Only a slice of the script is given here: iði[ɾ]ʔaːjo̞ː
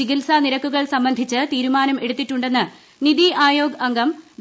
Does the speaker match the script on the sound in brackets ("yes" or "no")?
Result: no